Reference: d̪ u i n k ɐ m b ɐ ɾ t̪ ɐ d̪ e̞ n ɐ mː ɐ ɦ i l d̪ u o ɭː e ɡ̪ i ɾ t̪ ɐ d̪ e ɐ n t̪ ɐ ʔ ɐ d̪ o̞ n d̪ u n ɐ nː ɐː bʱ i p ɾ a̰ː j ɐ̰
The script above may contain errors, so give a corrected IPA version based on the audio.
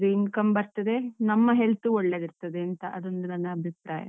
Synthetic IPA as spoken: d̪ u i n k ɐ m b ɐ ɾ t̪ ɐ d̪ e̞ n ɐ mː ɐ ɦ e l t̪ u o ɭː e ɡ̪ i ɾ t̪ ɐ d̪ e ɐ n t̪ ɐ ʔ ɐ d̪ o̞ n d̪ u n ɐ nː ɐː bʱ i p ɾ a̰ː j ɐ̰